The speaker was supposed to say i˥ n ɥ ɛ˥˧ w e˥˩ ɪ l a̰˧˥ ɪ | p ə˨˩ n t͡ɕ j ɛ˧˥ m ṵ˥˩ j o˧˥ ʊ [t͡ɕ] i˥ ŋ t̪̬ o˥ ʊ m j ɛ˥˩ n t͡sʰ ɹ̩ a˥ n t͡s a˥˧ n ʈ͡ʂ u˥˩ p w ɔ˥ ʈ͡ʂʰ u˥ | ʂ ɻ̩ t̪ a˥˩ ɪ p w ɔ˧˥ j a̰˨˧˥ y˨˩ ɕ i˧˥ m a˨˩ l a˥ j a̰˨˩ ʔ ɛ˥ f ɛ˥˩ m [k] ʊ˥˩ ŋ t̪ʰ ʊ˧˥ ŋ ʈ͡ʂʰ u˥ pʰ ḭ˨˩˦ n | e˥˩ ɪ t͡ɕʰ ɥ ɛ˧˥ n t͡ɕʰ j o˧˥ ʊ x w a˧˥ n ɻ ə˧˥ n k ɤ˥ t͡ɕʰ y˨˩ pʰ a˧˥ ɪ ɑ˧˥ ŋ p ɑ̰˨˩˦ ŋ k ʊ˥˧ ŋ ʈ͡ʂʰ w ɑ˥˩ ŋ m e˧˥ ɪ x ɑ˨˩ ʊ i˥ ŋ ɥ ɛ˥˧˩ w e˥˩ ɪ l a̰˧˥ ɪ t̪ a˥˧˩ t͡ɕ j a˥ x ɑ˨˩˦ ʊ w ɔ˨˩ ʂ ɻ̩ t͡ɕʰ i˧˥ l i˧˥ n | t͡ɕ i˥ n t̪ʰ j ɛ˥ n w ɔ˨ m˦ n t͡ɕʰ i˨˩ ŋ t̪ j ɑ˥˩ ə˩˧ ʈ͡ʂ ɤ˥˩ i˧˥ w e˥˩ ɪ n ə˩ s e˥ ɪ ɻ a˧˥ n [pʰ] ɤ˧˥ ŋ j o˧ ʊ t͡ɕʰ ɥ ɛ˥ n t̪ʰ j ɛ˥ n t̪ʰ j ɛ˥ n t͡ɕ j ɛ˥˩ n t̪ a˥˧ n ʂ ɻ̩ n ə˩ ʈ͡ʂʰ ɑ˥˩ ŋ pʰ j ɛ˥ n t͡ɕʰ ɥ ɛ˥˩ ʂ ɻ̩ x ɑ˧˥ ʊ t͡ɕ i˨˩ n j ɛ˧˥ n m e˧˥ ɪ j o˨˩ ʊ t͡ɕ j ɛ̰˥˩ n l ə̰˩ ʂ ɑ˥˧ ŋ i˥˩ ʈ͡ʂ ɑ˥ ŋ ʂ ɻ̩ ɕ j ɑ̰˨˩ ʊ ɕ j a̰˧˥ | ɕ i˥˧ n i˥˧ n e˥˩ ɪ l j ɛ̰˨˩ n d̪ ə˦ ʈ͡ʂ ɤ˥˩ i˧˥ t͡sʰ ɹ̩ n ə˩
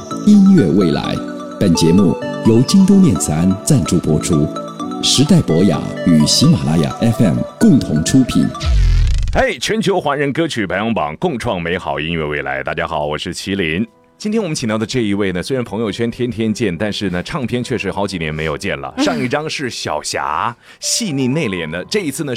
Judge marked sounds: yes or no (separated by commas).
yes, yes, yes